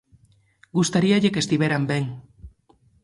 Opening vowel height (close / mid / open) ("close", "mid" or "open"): close